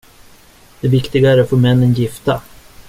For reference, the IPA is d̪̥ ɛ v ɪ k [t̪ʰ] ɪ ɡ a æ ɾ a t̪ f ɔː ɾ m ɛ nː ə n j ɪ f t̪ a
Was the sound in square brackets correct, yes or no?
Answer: no